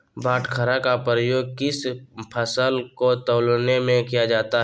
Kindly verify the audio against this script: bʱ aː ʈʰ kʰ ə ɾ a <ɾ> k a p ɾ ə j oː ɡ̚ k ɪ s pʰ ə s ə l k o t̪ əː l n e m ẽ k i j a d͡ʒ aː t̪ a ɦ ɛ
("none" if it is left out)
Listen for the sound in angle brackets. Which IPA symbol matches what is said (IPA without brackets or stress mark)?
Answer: none